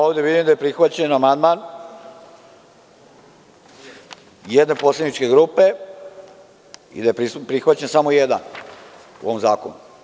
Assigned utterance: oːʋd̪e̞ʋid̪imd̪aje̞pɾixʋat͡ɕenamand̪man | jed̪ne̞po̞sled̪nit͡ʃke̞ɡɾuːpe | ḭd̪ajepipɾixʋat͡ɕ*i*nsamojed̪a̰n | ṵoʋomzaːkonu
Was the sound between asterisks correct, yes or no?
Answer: no